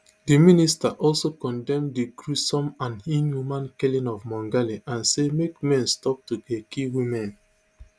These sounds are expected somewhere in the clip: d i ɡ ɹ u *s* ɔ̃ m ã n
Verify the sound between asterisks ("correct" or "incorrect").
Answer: correct